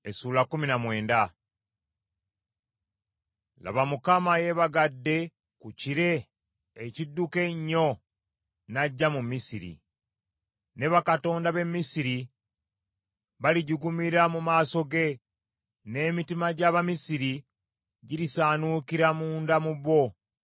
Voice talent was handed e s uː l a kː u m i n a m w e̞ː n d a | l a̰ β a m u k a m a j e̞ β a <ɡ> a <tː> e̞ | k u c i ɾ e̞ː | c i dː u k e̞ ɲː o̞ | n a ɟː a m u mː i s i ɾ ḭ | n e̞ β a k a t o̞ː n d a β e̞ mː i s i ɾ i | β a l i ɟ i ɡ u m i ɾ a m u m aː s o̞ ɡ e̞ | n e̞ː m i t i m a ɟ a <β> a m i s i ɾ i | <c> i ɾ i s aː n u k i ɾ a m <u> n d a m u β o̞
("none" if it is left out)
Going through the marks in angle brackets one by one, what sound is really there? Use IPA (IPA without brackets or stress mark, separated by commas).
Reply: ɡ, dː, β, ɟ, uː